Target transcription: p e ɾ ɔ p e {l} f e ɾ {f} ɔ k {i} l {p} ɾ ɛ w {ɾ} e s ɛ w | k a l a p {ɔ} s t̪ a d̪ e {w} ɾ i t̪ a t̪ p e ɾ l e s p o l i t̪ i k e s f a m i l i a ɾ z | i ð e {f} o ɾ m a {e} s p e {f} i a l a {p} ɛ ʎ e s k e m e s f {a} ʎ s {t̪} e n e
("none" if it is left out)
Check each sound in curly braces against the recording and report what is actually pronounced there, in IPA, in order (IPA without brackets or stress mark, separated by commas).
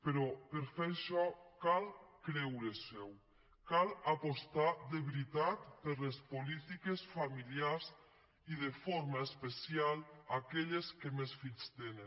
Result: ɾ, ʃ, a, k, ɾ, o, β, f, e, s, k, i, t̪